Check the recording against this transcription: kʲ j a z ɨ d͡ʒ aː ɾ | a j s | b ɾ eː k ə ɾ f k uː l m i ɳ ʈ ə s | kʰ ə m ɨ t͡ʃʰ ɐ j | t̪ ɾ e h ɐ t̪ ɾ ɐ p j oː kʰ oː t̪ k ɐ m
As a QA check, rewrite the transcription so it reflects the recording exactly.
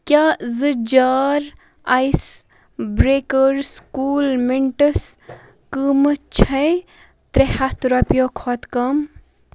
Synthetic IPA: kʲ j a z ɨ d͡ʒ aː ɾ | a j s | b ɾ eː k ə ɾ s k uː l m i ɳ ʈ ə s | k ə m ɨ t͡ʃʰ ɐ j | t̪ ɾ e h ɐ t̪ ɾ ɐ p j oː kʰ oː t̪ k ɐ m